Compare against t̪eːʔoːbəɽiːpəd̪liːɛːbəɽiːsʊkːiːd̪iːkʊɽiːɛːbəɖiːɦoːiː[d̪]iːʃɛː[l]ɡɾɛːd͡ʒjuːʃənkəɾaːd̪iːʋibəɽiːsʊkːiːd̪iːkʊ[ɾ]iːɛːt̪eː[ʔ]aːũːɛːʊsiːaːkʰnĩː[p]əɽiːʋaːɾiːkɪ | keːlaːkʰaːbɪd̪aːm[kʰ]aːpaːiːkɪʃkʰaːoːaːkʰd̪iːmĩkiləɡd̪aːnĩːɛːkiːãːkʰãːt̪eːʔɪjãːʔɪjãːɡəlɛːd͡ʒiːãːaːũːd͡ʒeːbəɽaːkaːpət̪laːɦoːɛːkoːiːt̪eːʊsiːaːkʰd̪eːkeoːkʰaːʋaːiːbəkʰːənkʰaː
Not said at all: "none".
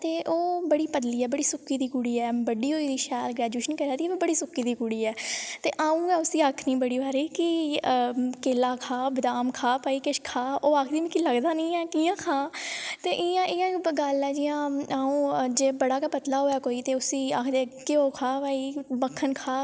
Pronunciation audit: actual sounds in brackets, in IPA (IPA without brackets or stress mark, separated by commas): d̪, l, ɽ, ʔ, b, kʰ